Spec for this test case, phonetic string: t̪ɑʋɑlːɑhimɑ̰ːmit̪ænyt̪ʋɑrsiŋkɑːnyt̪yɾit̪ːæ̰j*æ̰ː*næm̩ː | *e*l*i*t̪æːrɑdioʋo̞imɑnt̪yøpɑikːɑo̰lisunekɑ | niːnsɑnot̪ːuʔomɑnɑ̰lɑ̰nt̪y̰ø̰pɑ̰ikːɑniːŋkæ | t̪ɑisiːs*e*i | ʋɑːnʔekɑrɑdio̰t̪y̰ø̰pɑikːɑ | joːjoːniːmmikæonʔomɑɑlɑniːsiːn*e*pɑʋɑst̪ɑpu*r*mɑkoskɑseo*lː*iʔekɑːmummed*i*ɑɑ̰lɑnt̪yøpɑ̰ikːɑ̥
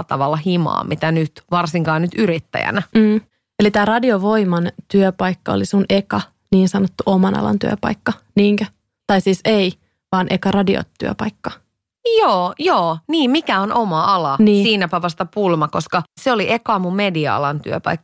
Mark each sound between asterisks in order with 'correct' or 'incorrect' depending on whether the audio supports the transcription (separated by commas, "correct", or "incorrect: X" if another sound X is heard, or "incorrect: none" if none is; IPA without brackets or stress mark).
incorrect: æ̰, correct, correct, correct, incorrect: æ, incorrect: l, incorrect: l, correct